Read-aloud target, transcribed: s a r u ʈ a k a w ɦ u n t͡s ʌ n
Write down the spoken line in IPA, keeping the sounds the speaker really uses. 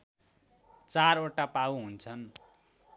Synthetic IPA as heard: t͡s a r o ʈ a p a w ɦ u n t͡sʰ ʌ n